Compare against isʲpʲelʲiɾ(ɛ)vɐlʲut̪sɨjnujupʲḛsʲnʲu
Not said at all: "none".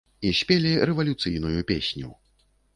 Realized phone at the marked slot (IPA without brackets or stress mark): ɛ